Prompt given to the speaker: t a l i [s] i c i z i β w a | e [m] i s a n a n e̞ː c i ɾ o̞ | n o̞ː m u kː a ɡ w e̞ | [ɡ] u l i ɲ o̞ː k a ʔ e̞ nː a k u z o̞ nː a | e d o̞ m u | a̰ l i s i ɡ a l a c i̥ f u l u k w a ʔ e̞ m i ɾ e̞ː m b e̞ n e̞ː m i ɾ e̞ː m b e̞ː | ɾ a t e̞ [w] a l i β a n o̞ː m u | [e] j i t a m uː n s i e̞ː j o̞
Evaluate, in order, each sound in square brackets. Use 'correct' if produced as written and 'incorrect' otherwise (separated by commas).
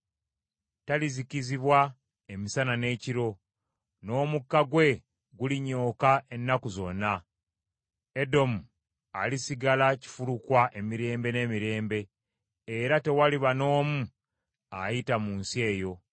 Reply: incorrect, correct, correct, correct, incorrect